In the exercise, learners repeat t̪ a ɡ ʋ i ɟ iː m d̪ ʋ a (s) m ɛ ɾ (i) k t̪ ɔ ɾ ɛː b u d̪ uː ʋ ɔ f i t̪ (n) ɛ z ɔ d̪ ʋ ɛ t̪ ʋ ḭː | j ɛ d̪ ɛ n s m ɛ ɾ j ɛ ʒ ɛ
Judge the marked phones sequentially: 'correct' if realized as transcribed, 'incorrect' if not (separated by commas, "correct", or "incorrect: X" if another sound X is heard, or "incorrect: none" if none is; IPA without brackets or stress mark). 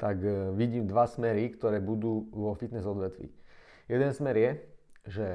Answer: correct, correct, correct